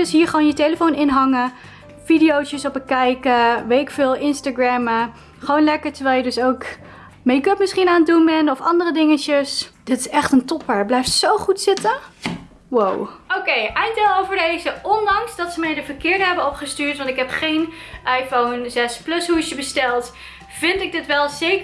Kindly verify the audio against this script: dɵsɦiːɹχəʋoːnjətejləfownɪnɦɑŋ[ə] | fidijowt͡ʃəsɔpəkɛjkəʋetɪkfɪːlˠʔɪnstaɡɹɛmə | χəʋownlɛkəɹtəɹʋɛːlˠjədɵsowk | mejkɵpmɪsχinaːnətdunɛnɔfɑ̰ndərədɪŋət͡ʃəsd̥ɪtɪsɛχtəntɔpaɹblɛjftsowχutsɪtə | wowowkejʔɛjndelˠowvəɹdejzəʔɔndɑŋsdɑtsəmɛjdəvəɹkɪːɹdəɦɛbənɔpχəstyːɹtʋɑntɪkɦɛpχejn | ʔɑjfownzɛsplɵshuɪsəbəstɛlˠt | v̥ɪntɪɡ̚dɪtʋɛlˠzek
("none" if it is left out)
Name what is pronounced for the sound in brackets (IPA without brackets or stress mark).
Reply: ə